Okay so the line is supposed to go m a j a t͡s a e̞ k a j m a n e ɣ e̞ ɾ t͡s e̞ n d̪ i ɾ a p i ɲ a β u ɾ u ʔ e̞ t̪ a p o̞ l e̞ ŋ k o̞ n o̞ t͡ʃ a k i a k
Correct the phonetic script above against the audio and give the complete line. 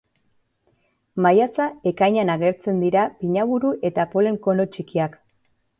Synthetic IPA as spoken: m a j a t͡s a e̞ k a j ɲ a n a ɣ e̞ ɾ t͡s e̞ n d̪ i ɾ a p i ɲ a β u ɾ u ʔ e̞ t̪ a p o̞ l e̞ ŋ k o̞ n o̞ t͡ʃ i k i a k